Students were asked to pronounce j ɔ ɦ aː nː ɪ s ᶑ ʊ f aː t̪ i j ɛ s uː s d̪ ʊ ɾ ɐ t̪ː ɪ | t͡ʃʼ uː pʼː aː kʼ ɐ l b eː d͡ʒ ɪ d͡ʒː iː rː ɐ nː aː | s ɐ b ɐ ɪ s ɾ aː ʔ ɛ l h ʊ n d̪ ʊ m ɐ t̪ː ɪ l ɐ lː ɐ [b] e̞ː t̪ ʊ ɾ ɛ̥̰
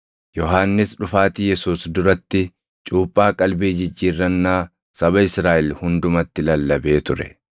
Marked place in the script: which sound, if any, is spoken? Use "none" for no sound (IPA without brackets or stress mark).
b